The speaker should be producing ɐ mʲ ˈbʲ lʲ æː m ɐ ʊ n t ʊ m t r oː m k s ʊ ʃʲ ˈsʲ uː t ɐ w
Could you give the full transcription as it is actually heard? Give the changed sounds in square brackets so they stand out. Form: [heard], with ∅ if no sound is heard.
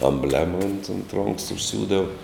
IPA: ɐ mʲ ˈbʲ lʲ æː m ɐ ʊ n t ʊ [n] t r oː [ŋ] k s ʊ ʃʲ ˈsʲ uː [d] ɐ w